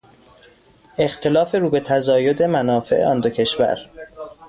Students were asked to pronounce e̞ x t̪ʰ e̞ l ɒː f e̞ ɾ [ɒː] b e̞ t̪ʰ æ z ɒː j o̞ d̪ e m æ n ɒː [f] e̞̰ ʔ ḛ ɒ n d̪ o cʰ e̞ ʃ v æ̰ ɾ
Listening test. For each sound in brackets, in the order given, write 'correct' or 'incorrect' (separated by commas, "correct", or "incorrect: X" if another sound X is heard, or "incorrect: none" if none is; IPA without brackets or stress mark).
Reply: incorrect: uː, correct